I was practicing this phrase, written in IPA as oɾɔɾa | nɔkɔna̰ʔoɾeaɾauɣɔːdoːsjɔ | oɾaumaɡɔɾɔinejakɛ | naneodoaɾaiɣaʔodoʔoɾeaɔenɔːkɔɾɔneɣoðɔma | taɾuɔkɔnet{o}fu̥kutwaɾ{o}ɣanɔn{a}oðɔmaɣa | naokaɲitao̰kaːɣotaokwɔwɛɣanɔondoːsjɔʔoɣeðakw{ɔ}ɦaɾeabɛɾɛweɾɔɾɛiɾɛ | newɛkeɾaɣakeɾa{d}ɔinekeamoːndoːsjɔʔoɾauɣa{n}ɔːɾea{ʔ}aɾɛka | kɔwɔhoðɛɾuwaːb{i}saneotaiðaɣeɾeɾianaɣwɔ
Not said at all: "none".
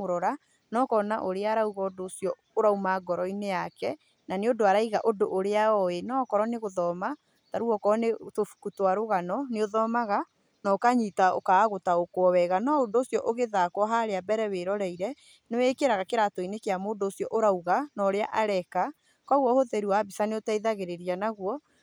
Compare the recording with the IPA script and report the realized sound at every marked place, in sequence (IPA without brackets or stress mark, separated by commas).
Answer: o, o, e, ɔ, t, n, ʔ, i